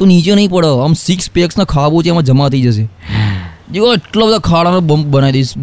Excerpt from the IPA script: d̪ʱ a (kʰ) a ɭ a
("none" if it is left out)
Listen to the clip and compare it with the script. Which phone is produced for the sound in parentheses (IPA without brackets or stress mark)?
kʰ